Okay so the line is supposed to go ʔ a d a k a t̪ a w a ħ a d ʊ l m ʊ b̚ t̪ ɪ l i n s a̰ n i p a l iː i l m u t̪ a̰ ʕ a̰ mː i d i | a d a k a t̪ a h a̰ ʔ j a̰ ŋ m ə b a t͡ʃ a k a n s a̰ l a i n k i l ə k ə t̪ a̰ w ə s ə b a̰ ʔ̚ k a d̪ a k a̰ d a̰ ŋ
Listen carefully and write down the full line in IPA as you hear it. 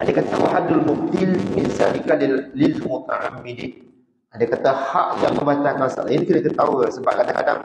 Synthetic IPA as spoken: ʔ a d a k a t̪ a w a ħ a d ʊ l m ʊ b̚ t̪ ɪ l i n s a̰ n i k a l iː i l m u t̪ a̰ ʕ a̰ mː i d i | a d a k a t̪ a h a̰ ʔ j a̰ ŋ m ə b a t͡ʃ a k a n s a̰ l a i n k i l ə k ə t̪ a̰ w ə s ə b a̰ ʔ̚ k a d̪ a k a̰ d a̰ ŋ